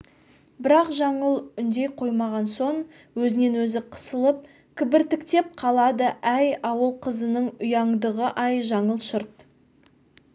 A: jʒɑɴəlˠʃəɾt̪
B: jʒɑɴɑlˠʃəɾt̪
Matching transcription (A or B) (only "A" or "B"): A